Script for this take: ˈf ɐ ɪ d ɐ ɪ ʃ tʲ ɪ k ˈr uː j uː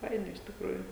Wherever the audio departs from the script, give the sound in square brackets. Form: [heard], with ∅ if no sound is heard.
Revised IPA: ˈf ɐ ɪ [n] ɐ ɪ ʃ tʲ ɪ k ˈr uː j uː